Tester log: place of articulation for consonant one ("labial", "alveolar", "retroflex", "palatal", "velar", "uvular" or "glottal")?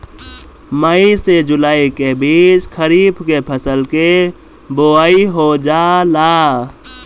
labial